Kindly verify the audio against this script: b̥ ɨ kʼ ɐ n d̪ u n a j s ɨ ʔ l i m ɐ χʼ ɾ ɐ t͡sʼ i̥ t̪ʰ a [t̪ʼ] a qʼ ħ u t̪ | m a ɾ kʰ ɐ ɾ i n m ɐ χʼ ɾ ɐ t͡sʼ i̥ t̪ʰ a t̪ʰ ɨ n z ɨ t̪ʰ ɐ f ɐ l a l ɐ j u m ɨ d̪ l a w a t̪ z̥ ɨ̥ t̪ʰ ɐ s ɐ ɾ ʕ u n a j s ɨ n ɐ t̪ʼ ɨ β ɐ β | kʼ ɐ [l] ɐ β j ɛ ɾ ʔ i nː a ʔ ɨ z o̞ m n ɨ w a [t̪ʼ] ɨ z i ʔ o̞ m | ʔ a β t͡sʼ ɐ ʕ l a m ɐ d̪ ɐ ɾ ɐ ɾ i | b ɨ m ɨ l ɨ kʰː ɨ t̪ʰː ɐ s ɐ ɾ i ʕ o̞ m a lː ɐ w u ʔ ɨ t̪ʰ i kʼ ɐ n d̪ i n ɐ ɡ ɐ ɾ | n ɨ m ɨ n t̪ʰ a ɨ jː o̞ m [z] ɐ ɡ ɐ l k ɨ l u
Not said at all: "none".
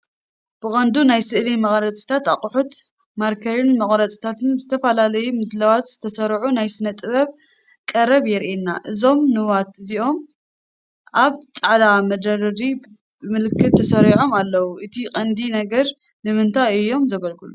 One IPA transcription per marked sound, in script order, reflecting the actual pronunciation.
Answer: t̪, ɾ, t̪, z

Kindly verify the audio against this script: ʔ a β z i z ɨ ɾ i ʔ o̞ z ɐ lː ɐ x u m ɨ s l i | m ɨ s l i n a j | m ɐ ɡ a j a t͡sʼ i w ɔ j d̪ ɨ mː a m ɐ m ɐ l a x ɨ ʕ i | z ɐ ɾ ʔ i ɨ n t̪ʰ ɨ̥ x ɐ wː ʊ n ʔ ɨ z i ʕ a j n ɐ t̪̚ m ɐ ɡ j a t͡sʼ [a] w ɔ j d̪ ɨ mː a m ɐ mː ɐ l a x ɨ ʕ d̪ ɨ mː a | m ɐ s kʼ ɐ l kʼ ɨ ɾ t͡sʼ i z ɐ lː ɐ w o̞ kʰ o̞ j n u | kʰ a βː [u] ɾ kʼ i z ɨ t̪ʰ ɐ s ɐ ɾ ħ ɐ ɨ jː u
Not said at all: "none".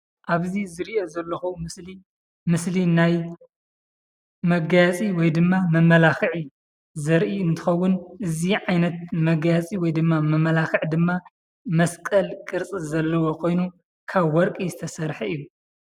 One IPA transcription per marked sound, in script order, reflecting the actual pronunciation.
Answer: i, ɔ

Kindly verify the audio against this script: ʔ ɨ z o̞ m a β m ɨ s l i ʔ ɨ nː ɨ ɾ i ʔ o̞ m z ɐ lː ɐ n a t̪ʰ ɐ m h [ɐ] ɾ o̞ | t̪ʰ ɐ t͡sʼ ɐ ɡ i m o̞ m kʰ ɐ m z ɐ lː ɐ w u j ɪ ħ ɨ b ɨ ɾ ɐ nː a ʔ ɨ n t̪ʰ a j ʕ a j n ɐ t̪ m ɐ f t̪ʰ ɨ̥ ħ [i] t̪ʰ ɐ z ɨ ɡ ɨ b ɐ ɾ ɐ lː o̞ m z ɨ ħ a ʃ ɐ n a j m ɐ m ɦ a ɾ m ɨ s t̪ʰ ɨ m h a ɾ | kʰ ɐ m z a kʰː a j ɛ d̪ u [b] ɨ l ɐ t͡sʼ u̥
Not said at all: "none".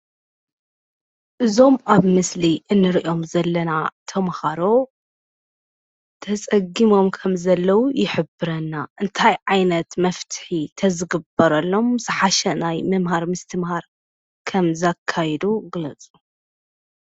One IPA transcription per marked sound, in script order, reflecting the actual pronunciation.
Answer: a, i, ɡ

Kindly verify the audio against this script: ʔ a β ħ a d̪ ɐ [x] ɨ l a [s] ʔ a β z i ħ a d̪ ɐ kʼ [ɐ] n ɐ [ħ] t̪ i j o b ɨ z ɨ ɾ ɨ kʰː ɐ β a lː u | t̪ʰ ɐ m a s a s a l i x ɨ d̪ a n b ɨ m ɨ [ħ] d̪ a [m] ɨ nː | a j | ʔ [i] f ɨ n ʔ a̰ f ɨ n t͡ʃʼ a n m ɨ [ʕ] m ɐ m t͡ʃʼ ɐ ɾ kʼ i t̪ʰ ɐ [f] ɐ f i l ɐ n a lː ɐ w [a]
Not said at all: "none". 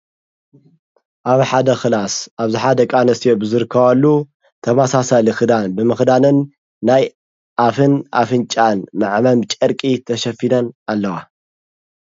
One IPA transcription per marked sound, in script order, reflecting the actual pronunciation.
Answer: x, s, a, s, x, n, a, ʕ, ʃ, a

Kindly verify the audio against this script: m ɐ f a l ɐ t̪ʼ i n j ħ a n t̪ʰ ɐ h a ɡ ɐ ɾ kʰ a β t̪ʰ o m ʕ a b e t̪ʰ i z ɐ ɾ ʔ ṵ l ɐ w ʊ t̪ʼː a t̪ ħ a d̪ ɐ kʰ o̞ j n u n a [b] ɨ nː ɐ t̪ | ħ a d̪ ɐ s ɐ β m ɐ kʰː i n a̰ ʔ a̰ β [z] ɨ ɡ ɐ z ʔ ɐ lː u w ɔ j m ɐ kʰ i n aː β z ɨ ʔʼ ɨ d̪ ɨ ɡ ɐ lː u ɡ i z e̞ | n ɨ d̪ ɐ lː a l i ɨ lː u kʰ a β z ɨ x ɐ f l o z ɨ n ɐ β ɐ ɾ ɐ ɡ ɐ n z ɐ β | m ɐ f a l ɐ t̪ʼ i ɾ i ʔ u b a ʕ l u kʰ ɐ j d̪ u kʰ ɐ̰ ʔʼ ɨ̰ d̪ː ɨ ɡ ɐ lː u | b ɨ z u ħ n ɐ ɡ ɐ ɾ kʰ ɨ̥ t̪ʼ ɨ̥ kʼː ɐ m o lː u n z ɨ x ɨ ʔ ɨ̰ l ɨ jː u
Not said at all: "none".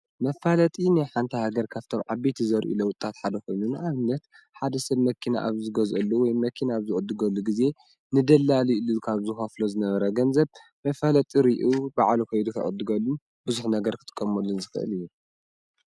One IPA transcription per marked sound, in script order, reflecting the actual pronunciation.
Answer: β, z

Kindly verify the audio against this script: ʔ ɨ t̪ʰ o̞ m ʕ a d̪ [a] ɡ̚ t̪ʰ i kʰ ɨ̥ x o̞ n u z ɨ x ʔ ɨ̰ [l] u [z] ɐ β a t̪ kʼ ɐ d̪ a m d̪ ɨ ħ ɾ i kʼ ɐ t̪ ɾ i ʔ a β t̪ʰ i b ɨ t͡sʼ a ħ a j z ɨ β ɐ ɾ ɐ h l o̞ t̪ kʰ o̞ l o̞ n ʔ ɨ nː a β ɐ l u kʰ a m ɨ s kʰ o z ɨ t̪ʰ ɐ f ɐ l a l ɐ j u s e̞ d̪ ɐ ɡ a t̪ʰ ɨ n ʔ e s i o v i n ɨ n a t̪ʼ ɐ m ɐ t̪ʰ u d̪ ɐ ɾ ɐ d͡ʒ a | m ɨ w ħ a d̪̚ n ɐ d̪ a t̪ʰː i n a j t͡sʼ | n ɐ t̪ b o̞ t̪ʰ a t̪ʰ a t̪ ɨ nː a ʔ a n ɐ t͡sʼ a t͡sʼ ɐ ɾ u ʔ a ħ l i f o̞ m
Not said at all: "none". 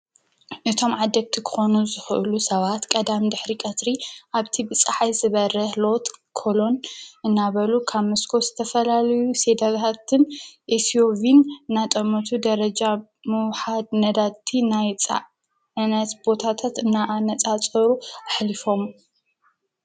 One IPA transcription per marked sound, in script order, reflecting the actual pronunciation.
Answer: ɐ, l, s

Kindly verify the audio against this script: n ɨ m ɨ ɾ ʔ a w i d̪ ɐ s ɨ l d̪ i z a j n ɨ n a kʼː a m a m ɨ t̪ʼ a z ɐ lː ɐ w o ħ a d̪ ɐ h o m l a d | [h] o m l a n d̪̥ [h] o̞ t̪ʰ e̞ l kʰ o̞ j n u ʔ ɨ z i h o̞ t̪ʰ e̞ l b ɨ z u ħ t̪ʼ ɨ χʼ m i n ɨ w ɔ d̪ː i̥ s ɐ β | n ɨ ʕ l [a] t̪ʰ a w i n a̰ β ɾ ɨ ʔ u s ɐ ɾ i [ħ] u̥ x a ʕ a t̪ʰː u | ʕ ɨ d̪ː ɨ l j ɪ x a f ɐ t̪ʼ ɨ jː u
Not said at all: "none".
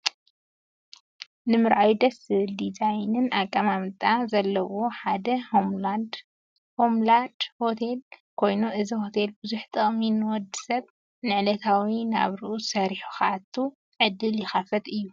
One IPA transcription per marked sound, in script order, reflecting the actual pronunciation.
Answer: h, h, ɐ, ħ

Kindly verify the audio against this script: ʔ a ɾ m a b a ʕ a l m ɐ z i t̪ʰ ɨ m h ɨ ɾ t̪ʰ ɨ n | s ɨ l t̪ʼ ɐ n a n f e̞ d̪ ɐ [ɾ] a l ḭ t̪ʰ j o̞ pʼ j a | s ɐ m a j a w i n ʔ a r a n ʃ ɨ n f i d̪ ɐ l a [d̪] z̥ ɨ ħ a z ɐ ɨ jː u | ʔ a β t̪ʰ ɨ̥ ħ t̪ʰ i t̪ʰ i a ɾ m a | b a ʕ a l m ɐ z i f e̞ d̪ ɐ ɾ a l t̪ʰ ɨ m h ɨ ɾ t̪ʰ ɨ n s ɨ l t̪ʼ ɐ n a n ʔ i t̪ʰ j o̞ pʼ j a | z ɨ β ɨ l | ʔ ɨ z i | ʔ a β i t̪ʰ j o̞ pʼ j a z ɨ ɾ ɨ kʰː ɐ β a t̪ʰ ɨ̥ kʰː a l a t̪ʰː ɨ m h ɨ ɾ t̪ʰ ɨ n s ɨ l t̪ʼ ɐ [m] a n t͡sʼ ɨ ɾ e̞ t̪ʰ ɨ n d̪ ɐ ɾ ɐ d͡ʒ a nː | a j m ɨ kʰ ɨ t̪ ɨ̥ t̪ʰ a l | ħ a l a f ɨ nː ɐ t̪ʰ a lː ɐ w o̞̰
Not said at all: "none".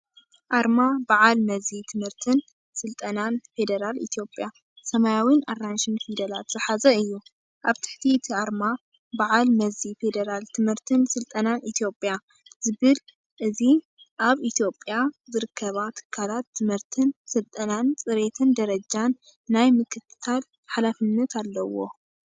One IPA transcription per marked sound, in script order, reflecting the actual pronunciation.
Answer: ɾ, t̪, n

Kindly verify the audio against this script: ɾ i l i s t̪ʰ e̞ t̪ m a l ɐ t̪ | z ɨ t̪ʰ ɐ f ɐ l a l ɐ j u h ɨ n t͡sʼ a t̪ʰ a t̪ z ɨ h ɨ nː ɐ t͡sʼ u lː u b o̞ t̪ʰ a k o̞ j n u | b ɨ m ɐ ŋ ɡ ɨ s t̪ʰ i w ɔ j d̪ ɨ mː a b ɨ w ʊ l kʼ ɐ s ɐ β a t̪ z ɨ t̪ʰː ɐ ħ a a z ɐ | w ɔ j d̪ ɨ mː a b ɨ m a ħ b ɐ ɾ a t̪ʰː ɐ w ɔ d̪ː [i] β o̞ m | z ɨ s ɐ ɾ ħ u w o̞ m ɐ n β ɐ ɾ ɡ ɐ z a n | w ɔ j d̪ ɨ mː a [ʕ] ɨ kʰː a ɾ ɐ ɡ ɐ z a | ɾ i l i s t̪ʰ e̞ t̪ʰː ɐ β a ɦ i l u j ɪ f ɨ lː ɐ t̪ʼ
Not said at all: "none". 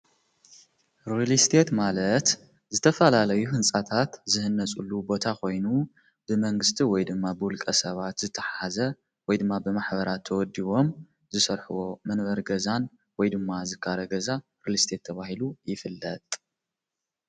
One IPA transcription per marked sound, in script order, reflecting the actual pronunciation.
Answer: i, z

